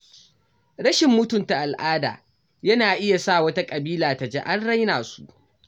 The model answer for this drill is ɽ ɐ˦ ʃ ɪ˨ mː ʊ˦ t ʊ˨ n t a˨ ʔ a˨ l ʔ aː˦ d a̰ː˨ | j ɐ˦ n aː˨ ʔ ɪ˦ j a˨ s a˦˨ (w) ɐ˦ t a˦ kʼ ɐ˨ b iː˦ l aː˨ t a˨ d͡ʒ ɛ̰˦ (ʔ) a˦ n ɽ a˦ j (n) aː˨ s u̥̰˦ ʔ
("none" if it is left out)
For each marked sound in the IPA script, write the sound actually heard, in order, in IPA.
w, ʔ, n

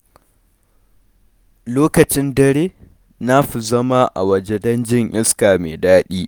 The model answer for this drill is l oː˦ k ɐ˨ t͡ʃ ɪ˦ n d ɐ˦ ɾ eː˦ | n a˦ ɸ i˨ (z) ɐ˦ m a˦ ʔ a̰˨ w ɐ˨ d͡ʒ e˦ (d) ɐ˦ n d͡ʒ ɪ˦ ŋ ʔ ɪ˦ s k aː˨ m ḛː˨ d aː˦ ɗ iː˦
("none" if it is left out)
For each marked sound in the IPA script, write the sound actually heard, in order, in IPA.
z, d

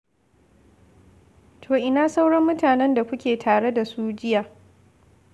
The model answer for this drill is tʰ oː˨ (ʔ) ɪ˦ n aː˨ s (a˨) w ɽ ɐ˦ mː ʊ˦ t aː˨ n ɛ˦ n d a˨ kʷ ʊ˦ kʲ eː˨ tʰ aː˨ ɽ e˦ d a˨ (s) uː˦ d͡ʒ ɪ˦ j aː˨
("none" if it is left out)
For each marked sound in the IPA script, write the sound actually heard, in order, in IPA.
ʔ, a˦, s

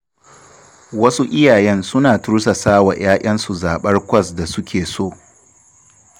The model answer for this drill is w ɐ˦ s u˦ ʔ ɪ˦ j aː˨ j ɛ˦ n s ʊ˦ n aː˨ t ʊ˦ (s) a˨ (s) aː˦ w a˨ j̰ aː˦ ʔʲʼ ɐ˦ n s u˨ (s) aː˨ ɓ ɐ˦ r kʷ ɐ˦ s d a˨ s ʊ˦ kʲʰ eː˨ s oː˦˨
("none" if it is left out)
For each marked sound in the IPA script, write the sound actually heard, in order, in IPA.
s, s, z

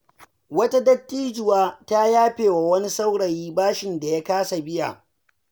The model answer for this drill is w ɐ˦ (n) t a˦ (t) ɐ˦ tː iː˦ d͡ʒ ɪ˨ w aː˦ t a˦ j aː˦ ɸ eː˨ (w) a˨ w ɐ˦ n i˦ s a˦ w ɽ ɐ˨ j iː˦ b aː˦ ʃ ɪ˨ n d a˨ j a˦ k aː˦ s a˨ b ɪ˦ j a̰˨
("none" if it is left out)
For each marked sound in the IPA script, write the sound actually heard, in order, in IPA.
none, d, w

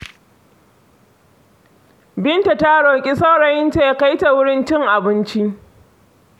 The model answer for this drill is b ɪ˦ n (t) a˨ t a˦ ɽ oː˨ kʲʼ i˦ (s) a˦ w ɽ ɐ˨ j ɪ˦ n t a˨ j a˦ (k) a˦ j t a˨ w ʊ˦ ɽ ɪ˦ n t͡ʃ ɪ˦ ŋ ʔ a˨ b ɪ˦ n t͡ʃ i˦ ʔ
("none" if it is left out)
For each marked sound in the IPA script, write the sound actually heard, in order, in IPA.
t, s, k

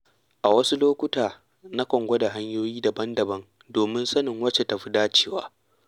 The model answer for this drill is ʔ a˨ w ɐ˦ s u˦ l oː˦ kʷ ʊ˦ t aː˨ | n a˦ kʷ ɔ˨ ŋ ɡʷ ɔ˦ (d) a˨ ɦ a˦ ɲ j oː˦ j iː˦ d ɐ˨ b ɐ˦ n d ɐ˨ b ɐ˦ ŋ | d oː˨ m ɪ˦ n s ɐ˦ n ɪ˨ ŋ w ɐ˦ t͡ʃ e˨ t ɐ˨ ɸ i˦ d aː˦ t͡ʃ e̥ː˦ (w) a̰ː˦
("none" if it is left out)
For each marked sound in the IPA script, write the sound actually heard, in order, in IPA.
d, w

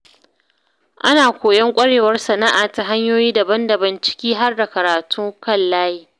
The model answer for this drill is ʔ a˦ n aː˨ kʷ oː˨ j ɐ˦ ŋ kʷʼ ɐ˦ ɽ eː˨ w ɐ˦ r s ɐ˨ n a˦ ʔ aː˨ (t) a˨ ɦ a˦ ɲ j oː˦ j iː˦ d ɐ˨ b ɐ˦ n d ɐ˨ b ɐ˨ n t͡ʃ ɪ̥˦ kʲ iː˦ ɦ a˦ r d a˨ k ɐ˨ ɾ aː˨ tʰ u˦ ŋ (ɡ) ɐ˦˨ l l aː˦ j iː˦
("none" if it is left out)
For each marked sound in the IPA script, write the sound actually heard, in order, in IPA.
t, k

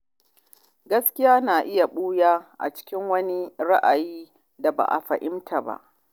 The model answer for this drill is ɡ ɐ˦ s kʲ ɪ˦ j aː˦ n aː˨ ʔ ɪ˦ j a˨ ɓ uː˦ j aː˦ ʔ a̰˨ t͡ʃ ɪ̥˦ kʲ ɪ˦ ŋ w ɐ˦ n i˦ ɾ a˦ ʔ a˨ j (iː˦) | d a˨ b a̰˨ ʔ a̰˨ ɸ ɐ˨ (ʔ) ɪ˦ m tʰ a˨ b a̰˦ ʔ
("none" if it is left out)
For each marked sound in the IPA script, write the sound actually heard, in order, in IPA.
iː˦, ʔ

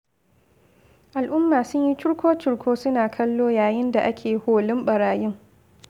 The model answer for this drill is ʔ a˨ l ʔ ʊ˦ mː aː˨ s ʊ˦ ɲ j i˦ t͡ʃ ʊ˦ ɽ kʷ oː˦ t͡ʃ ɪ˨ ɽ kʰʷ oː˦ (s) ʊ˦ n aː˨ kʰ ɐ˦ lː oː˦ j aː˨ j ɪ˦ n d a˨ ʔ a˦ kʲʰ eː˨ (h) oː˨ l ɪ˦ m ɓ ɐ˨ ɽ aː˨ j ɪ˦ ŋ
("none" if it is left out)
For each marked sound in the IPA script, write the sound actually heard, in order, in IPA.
s, h

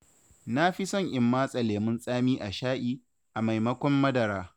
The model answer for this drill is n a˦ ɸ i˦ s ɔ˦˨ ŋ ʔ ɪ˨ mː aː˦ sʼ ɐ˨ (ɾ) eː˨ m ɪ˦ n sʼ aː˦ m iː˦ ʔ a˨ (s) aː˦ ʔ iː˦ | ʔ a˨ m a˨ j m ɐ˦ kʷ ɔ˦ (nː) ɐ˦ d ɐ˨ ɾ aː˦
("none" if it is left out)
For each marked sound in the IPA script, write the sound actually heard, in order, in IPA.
l, ʃ, mː

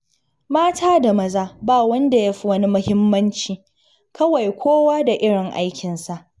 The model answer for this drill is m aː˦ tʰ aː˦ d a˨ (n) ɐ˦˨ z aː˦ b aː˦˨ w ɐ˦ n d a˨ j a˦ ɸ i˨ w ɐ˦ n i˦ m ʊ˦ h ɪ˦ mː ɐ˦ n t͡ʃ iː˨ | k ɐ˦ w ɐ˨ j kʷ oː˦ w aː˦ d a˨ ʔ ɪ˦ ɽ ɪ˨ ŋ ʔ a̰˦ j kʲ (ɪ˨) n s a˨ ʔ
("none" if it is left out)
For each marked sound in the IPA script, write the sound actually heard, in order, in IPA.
m, ɪ˨

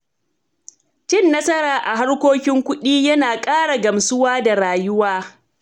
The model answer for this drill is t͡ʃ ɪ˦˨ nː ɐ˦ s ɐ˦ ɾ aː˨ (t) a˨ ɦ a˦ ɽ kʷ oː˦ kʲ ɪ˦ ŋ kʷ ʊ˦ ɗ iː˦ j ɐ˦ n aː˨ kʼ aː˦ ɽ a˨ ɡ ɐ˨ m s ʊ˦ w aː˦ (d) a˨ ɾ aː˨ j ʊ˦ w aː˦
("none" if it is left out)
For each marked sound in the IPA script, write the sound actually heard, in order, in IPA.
ʔ, d

